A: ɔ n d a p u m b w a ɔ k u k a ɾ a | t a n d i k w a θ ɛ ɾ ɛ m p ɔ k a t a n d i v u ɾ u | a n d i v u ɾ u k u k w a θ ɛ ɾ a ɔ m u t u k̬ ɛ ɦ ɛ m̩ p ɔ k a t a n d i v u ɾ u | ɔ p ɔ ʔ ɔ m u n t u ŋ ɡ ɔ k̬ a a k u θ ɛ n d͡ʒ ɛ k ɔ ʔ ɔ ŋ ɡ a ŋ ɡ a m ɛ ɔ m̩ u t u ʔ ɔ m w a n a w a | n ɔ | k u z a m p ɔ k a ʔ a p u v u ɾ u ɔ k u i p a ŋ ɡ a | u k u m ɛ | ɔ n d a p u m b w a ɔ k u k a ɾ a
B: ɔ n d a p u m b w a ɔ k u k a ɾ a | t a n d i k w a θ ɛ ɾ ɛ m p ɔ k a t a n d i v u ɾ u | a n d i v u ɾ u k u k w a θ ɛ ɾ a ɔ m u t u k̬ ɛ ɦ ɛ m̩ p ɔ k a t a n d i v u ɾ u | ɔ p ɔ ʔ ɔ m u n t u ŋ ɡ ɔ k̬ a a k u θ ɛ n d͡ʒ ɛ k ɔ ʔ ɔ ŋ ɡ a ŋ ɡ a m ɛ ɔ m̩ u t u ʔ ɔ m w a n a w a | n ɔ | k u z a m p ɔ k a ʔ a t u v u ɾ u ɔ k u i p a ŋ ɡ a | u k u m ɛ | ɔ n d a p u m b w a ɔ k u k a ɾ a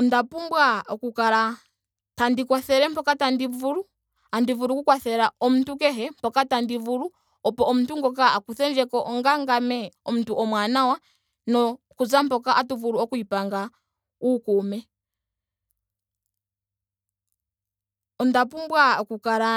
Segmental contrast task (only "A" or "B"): B